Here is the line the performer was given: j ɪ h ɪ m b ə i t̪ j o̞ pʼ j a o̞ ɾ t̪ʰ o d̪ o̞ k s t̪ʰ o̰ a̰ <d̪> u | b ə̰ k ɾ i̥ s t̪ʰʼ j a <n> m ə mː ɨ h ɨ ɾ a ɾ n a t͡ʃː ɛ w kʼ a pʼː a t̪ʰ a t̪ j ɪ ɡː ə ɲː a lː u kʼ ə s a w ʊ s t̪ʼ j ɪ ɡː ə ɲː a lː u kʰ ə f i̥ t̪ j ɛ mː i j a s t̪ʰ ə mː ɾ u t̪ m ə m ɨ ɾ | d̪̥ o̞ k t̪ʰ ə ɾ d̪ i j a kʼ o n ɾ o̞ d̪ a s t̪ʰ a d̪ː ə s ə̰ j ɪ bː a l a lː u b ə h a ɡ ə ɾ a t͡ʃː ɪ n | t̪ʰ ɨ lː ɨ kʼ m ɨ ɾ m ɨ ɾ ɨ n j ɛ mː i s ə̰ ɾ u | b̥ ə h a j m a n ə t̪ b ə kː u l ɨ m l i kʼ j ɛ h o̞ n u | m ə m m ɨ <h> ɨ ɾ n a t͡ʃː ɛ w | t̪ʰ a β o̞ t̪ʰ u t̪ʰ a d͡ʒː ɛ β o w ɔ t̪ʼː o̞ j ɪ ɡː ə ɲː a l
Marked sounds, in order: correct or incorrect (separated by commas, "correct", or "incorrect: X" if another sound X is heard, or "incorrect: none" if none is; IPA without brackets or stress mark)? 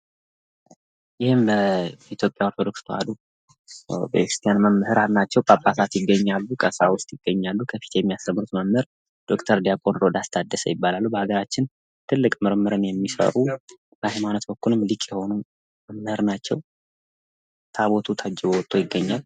correct, correct, correct